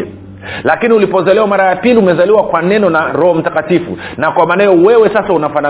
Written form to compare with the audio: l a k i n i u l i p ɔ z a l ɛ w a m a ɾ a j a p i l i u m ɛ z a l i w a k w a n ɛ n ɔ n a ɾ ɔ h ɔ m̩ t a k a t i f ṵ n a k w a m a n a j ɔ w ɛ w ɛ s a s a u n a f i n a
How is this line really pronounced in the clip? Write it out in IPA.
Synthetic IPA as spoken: l a k i n i u l i p ɔ z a l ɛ w a m a ɾ a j a p i l i u m ɛ z a l i w a k w a n ɛ n ɔ n a ɾ ɔ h ɔ m̩ t a k a t i f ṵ n a k w a m a n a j ɔ w ɛ w ɛ s a s a u n a f a n a